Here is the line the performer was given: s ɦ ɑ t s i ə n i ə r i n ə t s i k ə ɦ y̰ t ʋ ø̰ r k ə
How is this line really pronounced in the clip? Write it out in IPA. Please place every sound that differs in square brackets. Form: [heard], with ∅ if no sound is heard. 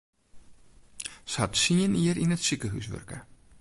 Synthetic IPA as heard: s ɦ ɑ t s i ə n i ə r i n ə t s i k ə ɦ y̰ [s] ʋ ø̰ r k ə